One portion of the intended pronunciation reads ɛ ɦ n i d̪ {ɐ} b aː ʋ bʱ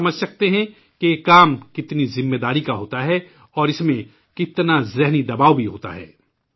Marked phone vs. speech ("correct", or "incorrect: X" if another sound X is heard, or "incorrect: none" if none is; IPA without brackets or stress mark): correct